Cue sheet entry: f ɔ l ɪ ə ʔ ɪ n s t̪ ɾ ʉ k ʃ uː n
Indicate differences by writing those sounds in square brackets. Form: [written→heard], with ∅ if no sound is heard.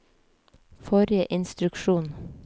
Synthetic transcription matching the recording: f ɔ [l→ɾ] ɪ ə ʔ ɪ n s t̪ ɾ ʉ k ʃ uː n

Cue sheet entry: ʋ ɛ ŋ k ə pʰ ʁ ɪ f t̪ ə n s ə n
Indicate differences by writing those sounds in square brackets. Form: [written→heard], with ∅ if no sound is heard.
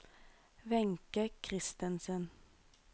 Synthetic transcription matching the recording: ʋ ɛ ŋ k ə [pʰ→kʰ] ʁ ɪ [f→s] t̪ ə n s ə n

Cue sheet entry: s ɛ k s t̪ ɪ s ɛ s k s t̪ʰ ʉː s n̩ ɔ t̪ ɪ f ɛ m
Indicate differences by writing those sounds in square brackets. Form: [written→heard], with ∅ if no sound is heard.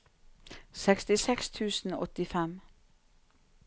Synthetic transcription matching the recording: s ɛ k s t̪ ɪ s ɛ [s→∅] k s t̪ʰ ʉː s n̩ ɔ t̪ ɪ f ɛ m

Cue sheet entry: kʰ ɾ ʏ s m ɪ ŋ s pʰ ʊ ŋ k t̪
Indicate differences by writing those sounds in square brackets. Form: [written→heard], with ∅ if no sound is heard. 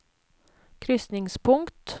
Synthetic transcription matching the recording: kʰ ɾ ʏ s [m→n] ɪ ŋ s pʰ ʊ ŋ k t̪

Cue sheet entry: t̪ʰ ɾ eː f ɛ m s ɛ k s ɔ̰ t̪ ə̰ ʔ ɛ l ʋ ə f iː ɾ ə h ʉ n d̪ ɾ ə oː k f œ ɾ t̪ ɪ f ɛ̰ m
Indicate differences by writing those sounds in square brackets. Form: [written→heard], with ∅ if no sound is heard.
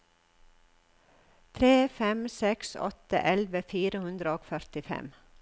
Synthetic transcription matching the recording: t̪ʰ ɾ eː f ɛ m s ɛ k s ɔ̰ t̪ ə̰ ʔ ɛ l ʋ ə f iː ɾ ə h ʉ n d̪ ɾ ə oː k f œ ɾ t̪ ɪ f ɛ̰ m

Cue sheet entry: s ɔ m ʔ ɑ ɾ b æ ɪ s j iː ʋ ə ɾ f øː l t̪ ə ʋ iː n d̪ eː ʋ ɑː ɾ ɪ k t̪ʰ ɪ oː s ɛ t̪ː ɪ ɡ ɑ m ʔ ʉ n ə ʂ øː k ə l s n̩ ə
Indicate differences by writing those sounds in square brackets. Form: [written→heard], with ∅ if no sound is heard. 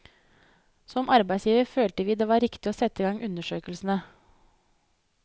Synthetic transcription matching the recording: s ɔ m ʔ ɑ ɾ b æ ɪ s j iː ʋ ə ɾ f øː l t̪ ə ʋ iː [n→∅] d̪ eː ʋ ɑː ɾ ɪ k [t̪ʰ→t̪] ɪ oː s ɛ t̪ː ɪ ɡ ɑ [m→ŋ] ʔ ʉ n ə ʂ øː k ə l s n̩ ə

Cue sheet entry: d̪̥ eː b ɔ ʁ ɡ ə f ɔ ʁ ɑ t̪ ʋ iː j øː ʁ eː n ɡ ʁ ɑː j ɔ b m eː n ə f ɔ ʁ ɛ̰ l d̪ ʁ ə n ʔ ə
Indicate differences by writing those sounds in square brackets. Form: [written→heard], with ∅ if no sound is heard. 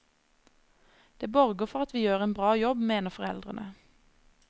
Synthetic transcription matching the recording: d̪̥ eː b ɔ ʁ ɡ ə f ɔ ʁ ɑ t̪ ʋ iː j øː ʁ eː n [ɡ→b] ʁ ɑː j ɔ b m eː n ə f ɔ ʁ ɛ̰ l d̪ ʁ ə n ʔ ə

